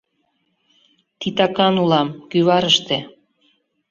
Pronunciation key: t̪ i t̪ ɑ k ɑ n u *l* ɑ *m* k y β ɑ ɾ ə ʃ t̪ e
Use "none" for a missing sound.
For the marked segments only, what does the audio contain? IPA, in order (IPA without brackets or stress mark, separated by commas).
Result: l, m